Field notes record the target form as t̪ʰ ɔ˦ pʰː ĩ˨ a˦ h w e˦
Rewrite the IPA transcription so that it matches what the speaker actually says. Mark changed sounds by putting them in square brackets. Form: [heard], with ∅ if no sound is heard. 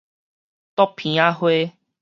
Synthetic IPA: [t̪] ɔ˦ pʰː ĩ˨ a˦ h w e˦